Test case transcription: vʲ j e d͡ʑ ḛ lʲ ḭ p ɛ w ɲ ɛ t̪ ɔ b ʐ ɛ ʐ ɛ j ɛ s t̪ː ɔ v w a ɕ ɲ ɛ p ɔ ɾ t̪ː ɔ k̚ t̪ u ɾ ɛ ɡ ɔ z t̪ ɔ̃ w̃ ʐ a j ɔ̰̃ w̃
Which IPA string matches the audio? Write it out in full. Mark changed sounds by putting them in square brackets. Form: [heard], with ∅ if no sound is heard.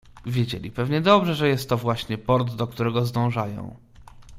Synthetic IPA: vʲ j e d͡ʑ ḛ lʲ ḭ p ɛ [v] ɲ ɛ [d̪] ɔ b ʐ ɛ ʐ ɛ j ɛ s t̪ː ɔ v w a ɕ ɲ ɛ p ɔ ɾ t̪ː ɔ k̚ t̪ u ɾ ɛ ɡ ɔ z [d̪] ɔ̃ w̃ ʐ a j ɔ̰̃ w̃